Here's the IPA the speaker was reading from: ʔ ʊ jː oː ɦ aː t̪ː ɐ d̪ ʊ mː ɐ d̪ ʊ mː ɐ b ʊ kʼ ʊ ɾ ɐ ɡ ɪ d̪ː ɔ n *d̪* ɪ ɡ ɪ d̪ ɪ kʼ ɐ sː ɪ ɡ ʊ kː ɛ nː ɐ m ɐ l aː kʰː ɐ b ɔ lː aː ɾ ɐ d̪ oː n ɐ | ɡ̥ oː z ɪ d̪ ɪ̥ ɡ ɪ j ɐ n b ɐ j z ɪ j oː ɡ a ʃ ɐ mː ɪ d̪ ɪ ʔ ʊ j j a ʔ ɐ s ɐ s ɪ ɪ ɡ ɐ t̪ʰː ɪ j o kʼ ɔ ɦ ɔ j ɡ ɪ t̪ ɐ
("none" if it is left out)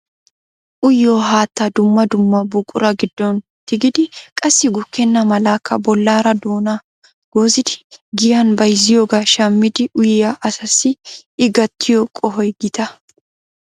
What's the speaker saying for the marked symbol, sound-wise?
t̪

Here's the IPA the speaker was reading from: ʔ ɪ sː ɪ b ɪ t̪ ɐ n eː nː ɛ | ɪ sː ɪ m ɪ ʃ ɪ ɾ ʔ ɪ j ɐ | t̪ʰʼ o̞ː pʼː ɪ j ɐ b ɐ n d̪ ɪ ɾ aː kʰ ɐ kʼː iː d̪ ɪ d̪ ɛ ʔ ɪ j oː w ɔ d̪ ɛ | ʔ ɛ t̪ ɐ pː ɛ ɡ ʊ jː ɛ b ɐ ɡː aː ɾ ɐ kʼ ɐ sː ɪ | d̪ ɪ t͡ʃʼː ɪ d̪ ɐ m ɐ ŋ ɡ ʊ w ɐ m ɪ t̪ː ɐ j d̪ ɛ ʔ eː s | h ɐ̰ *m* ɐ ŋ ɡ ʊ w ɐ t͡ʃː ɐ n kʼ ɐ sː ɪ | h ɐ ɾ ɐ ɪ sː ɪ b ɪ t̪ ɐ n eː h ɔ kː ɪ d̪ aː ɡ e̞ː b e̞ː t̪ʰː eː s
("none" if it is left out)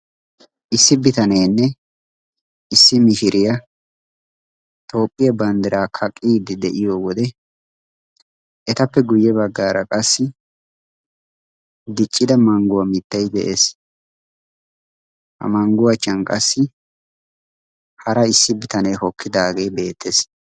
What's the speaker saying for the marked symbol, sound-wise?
m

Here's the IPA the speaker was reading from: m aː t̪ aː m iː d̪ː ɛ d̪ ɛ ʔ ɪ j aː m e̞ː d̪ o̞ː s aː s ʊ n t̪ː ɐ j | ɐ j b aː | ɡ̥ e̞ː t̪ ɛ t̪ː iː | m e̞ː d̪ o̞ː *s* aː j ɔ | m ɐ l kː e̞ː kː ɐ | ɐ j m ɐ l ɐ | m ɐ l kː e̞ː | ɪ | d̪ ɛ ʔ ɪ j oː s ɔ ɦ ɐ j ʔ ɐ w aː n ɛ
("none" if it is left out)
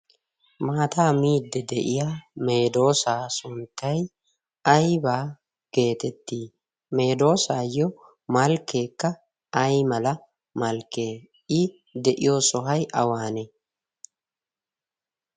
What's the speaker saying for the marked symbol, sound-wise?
s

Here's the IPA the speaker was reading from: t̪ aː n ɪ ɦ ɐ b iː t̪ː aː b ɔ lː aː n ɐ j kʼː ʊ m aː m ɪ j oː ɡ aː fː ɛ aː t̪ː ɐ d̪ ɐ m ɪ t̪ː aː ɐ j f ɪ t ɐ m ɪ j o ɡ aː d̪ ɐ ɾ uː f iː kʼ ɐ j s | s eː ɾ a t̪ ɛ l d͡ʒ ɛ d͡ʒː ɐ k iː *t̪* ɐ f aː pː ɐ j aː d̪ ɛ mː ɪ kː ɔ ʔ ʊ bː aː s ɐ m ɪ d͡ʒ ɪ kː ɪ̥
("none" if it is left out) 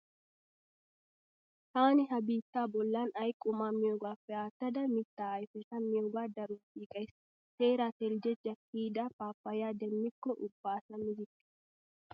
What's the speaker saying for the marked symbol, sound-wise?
d̪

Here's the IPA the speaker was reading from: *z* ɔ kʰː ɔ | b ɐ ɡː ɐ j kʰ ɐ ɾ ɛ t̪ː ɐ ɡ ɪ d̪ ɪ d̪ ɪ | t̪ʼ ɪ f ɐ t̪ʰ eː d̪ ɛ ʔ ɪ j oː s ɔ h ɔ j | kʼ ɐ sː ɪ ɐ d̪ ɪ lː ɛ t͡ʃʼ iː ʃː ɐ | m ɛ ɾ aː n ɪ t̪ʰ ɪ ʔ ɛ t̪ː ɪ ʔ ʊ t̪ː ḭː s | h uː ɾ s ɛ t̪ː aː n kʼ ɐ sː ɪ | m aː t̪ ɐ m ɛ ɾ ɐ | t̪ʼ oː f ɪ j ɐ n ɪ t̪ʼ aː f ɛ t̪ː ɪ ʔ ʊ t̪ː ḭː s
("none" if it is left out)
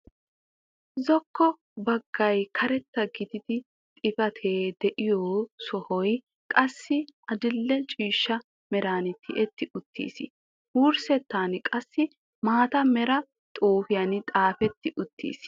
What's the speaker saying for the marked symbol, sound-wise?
z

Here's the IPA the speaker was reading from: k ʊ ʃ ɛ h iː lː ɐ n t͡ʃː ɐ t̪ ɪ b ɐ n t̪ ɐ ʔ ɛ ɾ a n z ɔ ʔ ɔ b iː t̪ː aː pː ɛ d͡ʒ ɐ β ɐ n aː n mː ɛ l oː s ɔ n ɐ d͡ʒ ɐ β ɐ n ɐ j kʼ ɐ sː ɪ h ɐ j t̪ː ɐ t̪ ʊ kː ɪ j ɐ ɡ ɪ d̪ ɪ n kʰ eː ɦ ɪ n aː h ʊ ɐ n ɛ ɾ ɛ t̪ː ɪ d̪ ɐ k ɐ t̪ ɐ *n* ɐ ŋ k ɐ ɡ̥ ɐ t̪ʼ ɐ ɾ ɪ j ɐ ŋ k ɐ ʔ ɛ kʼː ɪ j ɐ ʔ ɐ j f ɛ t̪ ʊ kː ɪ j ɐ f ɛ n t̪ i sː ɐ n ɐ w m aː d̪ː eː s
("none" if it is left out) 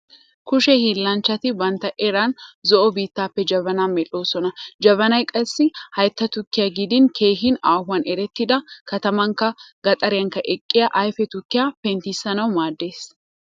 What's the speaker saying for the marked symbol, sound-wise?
m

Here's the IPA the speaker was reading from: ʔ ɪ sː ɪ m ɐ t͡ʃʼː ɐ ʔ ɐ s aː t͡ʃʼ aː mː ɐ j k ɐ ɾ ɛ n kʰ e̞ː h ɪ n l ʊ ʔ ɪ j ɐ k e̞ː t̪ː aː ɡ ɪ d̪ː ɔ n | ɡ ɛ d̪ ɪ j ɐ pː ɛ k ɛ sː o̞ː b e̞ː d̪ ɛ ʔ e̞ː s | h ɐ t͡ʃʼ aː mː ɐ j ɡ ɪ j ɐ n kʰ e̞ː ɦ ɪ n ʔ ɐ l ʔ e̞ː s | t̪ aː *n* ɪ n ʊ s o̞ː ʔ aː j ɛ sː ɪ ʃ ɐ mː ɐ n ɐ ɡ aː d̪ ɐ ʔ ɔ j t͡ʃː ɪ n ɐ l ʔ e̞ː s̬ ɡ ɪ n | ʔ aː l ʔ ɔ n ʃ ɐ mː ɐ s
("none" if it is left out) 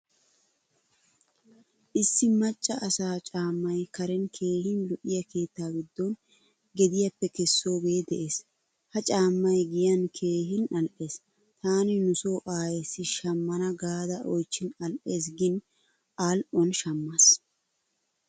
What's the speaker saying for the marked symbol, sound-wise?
n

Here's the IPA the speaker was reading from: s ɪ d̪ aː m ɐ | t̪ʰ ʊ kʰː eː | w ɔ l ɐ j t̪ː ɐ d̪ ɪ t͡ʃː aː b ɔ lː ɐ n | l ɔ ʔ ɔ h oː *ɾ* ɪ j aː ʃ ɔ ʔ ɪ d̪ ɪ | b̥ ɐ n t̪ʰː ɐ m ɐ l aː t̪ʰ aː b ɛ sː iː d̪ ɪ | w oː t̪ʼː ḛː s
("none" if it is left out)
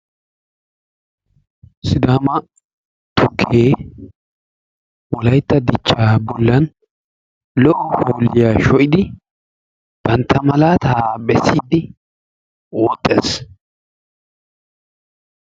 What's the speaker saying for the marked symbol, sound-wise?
l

